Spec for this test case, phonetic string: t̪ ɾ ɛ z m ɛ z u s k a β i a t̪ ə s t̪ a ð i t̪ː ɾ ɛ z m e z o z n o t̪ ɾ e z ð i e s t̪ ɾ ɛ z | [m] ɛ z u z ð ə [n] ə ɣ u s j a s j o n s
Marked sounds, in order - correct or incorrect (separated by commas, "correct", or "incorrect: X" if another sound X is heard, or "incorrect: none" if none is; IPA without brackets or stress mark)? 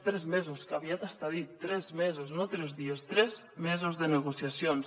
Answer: correct, correct